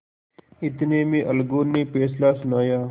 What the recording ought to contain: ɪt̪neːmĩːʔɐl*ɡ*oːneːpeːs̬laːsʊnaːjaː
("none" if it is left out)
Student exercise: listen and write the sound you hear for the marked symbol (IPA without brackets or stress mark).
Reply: ɡ